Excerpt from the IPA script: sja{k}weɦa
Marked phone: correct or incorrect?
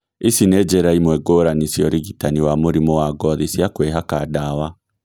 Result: correct